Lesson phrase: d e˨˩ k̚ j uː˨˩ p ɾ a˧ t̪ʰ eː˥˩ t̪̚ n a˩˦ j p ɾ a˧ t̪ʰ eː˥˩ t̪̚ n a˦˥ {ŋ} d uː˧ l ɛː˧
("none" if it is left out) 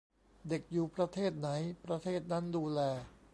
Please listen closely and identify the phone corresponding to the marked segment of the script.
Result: n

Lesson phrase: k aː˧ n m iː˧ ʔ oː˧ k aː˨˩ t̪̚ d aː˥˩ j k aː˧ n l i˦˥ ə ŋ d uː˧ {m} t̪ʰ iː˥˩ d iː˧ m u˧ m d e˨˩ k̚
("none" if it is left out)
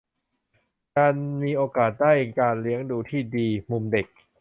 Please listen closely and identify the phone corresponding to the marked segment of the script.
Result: none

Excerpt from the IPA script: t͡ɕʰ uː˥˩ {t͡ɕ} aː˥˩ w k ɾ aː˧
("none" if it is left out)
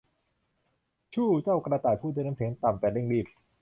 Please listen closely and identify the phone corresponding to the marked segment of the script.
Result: t͡ɕ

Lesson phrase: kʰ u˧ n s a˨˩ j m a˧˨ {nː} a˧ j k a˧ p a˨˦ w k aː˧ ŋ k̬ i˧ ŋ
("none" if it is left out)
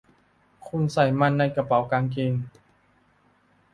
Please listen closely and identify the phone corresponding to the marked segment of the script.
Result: nː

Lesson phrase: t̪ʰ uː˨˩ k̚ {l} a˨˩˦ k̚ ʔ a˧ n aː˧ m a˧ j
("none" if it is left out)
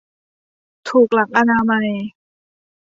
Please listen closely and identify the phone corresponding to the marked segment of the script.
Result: l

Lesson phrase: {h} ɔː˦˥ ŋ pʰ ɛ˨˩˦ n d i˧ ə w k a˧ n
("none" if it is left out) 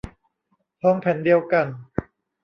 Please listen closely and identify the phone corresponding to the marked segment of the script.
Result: h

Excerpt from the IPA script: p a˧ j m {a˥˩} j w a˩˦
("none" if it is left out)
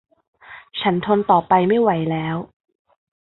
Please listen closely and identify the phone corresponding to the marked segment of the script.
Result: a˥˩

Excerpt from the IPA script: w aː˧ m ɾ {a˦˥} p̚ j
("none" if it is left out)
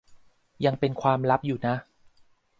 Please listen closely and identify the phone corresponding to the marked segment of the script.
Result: a˦˥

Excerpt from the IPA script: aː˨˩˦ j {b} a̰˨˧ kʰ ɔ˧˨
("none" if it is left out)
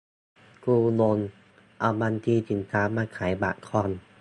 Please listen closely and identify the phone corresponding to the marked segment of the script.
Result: b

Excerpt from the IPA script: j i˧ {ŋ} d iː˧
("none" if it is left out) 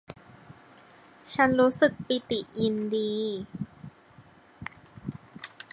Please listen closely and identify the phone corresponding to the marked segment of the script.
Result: n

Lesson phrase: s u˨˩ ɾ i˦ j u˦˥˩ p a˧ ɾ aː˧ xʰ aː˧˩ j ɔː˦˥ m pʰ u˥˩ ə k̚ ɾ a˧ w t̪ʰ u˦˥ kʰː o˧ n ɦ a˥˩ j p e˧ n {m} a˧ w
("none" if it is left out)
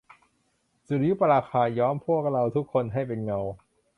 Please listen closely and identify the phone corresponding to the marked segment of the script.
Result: ŋ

